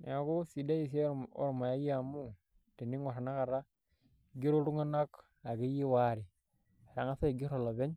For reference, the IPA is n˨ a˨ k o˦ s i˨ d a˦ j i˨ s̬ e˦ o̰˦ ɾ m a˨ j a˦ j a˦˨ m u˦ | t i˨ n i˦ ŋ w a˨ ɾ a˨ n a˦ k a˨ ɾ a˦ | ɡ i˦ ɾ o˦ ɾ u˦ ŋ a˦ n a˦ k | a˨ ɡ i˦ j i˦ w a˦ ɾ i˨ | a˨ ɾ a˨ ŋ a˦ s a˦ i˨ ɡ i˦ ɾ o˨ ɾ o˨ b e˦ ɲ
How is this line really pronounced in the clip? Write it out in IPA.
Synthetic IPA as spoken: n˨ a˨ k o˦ s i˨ d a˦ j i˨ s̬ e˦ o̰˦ ɾ m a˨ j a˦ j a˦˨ m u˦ | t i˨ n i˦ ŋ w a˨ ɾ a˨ n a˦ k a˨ ɾ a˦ | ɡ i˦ ɾ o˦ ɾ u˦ ŋ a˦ n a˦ k | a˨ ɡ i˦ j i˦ w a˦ ɾ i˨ | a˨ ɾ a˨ ŋ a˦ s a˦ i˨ ɡ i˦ ɾ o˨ l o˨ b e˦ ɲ